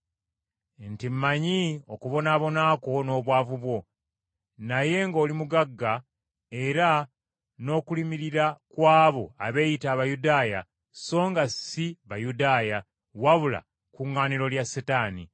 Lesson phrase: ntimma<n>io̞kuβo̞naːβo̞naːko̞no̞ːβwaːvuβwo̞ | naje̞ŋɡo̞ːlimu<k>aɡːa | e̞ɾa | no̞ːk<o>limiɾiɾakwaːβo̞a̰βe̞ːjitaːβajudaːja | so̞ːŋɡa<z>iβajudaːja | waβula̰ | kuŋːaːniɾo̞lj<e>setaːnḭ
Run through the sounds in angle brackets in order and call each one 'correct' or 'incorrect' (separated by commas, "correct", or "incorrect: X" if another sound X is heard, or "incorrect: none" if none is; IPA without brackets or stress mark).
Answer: incorrect: ɲ, incorrect: ɡ, incorrect: u, incorrect: s, incorrect: a